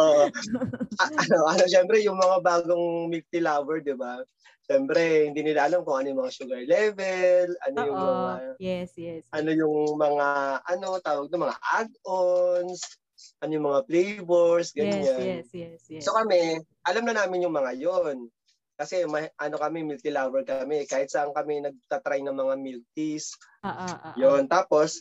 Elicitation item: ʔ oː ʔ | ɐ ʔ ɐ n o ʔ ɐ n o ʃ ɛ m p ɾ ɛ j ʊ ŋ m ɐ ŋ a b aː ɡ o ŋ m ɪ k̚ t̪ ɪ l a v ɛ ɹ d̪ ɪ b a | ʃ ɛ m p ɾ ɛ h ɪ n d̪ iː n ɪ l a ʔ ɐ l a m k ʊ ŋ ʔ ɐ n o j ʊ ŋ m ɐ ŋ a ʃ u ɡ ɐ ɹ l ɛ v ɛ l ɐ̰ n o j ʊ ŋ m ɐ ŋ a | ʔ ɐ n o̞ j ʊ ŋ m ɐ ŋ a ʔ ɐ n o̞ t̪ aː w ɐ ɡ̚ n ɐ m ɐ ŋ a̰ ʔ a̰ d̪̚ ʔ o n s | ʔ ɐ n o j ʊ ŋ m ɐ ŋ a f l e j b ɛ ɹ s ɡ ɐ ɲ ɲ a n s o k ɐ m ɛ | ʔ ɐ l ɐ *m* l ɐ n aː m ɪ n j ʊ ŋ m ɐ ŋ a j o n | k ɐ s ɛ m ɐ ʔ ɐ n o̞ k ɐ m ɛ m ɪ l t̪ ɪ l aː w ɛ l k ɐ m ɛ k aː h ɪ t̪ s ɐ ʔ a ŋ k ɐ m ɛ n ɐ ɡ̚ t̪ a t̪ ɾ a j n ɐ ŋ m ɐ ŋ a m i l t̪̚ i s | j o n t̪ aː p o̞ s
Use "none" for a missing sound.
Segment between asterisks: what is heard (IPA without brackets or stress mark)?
m